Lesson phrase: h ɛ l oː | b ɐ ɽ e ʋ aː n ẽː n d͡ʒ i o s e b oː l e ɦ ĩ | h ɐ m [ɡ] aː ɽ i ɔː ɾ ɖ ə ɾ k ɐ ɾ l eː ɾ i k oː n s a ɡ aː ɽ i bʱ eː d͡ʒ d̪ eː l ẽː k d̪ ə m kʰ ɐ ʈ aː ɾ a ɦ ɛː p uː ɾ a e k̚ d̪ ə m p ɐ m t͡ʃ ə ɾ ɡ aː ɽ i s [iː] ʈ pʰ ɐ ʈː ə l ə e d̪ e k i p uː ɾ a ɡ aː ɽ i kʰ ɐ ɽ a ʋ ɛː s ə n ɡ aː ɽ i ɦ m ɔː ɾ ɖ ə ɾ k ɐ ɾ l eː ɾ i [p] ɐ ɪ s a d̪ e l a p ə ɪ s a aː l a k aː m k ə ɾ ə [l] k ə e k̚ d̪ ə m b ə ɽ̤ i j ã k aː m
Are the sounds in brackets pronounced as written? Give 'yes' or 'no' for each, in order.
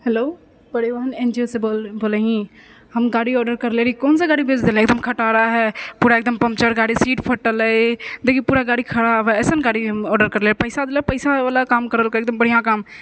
yes, yes, yes, yes

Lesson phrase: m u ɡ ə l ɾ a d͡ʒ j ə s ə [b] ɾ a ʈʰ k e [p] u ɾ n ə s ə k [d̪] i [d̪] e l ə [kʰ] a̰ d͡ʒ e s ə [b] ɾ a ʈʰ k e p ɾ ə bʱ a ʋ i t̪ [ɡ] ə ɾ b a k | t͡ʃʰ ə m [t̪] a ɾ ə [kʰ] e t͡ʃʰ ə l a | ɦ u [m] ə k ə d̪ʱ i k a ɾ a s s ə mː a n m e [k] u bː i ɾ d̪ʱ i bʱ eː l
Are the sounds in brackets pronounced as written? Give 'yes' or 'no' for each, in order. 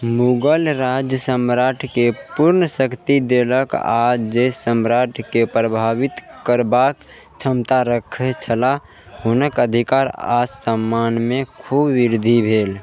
no, yes, no, yes, no, no, no, yes, yes, no, no

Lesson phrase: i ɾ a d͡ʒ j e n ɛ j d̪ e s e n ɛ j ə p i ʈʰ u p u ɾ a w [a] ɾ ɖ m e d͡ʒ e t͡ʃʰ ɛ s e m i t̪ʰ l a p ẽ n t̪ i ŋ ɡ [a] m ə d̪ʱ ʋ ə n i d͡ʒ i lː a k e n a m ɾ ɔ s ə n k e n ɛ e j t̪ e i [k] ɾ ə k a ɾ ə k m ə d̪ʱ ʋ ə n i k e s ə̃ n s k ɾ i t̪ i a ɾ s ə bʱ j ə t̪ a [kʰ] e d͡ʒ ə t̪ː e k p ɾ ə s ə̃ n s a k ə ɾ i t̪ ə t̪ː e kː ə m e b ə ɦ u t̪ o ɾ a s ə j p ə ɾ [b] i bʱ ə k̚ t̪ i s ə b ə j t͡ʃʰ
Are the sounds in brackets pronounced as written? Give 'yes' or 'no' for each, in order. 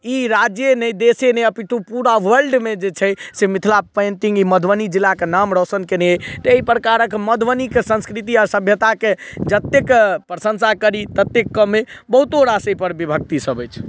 no, no, no, no, yes

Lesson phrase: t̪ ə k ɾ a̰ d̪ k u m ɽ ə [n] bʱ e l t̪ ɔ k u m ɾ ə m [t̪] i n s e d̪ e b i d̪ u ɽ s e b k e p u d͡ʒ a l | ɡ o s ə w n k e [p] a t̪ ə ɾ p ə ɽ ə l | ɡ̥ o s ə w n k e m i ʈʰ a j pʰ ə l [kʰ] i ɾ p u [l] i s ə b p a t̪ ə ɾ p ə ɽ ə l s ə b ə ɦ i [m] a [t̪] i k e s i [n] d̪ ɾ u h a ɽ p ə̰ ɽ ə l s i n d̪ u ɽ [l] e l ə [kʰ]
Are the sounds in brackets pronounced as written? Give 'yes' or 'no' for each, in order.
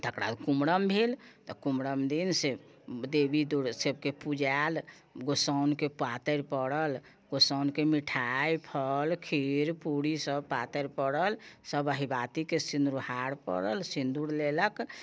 no, no, yes, yes, no, no, yes, yes, yes, no

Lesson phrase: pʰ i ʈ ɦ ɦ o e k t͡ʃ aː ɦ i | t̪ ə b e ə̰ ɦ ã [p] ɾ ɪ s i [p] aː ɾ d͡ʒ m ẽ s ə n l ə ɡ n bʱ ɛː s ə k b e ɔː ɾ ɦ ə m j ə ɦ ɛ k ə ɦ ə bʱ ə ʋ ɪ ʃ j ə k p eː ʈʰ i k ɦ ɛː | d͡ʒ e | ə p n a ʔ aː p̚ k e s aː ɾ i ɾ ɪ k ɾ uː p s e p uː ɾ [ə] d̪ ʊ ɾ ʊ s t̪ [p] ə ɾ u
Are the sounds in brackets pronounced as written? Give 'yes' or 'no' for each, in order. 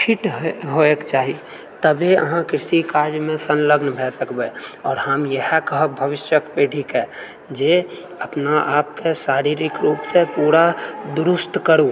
no, no, no, no

